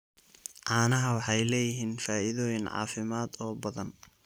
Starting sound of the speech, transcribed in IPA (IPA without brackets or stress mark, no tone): ʕ